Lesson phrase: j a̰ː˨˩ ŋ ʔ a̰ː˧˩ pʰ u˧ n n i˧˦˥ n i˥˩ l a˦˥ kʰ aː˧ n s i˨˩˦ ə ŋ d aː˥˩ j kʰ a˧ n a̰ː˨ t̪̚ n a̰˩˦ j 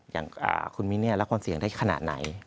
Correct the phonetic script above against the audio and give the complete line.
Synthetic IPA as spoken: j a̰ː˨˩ ŋ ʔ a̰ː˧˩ kʰ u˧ n m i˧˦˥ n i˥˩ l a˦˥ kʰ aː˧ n s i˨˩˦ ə ŋ d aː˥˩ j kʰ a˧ n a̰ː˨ t̪̚ n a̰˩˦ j